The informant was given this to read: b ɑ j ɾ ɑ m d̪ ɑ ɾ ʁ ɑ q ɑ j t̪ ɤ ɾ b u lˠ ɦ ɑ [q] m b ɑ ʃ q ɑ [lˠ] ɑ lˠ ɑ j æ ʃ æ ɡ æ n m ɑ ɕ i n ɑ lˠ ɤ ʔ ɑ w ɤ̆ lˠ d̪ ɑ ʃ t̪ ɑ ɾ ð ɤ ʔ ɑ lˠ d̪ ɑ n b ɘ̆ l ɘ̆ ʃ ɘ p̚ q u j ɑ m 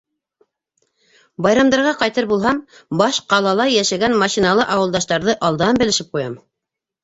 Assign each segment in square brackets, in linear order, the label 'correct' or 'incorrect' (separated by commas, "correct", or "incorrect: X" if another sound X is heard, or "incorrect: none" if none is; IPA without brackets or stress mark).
incorrect: none, correct